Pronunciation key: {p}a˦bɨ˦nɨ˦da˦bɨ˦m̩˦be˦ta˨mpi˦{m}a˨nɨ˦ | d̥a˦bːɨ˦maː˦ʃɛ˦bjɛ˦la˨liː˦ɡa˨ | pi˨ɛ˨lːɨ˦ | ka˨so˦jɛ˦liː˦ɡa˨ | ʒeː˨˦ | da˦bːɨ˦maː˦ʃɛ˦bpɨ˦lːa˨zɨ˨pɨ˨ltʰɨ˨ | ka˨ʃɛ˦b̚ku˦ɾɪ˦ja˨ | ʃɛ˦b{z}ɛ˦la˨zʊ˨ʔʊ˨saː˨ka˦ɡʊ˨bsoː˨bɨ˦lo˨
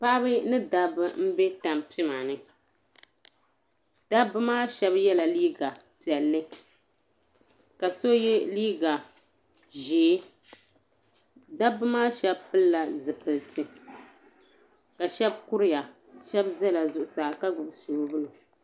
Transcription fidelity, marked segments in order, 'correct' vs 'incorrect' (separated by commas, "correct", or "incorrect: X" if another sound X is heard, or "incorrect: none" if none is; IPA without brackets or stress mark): correct, correct, correct